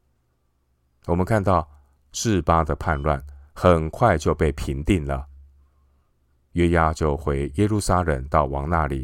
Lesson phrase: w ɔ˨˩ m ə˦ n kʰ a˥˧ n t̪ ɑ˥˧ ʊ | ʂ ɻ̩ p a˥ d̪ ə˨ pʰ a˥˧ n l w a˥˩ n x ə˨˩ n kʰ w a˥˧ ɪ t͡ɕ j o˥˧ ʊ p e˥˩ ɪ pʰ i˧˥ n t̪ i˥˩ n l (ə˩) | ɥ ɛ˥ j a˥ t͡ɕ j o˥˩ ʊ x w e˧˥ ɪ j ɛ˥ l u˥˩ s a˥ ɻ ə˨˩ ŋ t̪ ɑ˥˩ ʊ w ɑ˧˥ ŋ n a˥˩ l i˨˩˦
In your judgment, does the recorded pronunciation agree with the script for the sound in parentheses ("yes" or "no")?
yes